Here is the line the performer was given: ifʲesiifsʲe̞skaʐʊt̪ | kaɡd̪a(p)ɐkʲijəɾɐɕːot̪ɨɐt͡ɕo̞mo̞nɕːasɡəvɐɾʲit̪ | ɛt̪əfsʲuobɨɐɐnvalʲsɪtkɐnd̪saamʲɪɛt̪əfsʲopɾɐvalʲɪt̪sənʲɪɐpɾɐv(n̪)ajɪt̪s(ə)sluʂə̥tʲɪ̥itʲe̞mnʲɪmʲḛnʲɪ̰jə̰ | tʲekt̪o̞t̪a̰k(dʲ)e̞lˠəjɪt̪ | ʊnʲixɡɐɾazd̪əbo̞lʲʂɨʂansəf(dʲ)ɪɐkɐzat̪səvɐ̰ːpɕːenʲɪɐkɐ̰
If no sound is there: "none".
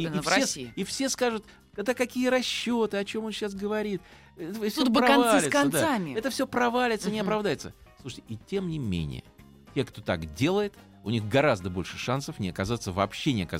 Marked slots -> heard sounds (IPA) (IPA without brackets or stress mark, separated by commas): k, d̪, ə, dʲ, nʲ